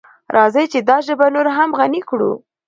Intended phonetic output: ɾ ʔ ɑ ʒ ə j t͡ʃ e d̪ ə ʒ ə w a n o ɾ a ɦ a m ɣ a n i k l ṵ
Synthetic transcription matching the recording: ɾ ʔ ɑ z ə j t͡ʃ e d̪ ɑ ʒ ə b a n o ɾ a ɦ a m ɣ a n i k ɽ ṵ